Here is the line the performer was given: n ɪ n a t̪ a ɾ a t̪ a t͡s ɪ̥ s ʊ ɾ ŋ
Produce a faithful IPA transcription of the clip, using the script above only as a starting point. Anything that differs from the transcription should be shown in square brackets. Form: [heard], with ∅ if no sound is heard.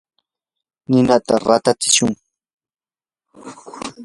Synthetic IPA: n ɪ n a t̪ a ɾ a t̪ a t͡s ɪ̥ [ʃ] ʊ [∅] ŋ